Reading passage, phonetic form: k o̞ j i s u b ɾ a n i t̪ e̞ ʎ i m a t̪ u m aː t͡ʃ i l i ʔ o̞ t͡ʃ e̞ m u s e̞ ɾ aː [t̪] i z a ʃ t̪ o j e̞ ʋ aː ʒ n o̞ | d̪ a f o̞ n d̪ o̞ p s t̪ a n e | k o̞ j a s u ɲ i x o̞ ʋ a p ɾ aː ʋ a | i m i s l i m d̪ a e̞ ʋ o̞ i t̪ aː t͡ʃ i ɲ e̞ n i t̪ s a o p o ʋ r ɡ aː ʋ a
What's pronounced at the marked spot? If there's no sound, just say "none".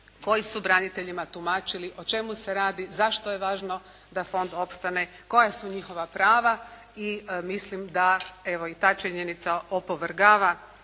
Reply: d̪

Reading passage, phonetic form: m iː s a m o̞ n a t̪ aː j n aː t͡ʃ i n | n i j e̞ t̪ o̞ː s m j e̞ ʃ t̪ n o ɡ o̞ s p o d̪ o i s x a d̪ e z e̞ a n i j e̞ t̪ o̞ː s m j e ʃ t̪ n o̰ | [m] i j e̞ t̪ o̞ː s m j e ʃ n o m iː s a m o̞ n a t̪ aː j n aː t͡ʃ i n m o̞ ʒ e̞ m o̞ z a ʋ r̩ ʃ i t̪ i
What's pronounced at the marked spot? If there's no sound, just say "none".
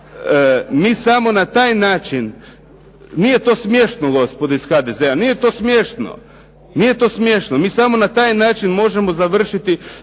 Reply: n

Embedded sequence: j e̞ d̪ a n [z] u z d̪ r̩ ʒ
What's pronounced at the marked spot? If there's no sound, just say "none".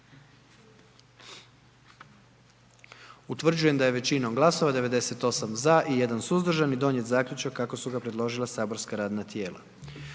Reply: s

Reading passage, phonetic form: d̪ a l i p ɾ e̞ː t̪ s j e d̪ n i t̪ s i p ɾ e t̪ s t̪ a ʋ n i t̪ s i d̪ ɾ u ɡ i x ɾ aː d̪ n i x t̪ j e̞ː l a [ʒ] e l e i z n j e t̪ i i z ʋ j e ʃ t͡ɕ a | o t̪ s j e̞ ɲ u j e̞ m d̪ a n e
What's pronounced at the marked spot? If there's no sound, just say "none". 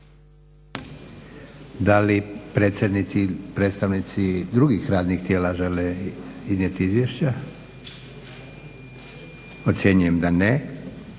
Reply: ʒ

